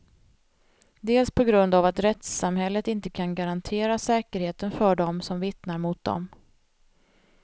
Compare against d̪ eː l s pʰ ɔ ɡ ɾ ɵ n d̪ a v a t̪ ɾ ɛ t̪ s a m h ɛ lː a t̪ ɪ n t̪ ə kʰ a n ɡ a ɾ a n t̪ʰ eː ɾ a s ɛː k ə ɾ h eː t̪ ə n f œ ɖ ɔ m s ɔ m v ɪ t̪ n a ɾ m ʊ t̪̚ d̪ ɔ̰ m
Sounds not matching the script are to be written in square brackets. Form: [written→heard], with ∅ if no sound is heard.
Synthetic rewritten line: d̪ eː l s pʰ ɔ ɡ ɾ ɵ n d̪ a v a t̪ ɾ ɛ t̪ s a m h ɛ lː [a→ə] t̪ ɪ n t̪ ə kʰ a n ɡ a ɾ a n t̪ʰ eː ɾ a s ɛː k ə ɾ h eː t̪ ə n f œ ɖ ɔ m s ɔ m v ɪ t̪ n a ɾ m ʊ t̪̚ d̪ ɔ̰ m

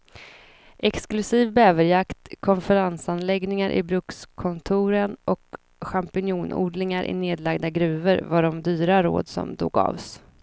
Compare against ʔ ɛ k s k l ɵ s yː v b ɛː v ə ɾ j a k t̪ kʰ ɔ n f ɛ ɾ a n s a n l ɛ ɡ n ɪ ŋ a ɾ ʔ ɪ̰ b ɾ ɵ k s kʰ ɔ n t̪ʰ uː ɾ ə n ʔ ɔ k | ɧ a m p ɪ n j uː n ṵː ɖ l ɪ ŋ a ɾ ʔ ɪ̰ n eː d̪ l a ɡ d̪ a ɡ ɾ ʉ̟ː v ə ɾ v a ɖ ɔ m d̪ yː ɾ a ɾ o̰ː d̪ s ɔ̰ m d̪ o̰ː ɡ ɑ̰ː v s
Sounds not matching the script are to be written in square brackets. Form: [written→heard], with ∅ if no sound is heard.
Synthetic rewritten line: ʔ ɛ k s k l ɵ s [yː→iː] v b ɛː v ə ɾ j a k t̪ kʰ ɔ n f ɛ ɾ a n s a n l ɛ ɡ n ɪ ŋ a ɾ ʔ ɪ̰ b ɾ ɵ k s kʰ ɔ n t̪ʰ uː ɾ ə n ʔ ɔ k | ɧ a m p ɪ n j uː n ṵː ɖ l ɪ ŋ a ɾ ʔ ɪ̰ n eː d̪ l a ɡ d̪ a ɡ ɾ ʉ̟ː v ə ɾ v a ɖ ɔ m d̪ yː ɾ a ɾ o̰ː d̪ s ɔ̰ m d̪ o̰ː ɡ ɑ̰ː v s

